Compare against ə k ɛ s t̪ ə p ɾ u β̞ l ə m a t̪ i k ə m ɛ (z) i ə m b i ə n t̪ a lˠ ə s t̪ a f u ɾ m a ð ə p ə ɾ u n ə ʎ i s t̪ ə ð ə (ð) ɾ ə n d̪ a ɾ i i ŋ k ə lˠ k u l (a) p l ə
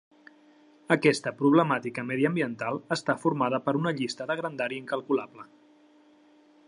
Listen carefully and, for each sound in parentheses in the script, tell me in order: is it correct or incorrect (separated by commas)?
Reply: incorrect, incorrect, correct